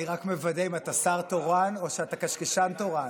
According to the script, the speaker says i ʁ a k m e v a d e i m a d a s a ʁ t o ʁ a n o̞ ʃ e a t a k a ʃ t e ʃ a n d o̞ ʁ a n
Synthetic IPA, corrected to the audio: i ʁ a k m e v a d e i m a t a s a ʁ t o ʁ a n o̞ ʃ e a t a k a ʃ k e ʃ a n t o̞ ʁ a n